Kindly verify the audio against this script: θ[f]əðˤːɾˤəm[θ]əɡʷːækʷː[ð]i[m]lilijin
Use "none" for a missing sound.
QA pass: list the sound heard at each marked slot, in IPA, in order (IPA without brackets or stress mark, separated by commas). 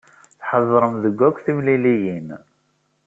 ħ, ð, θ, m